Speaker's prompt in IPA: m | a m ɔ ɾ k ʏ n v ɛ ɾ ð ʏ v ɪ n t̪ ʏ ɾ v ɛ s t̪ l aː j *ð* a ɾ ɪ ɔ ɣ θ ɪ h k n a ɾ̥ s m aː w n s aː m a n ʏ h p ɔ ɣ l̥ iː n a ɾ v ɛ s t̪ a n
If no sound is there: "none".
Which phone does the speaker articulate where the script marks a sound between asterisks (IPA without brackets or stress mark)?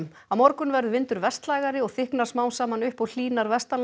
ɣ